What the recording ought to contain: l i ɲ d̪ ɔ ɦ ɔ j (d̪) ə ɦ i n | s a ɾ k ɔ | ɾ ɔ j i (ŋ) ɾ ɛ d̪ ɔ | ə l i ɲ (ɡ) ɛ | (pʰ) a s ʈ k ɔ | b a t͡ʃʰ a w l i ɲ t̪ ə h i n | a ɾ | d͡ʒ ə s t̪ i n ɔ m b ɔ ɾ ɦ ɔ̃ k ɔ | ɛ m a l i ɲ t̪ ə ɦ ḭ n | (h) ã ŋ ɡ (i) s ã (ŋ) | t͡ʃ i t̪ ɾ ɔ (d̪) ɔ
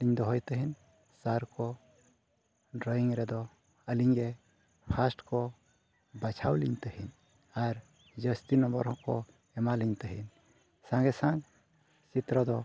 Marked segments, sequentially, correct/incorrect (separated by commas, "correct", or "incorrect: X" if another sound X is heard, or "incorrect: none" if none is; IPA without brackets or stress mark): incorrect: t̪, correct, correct, correct, incorrect: s, incorrect: ɛ, correct, correct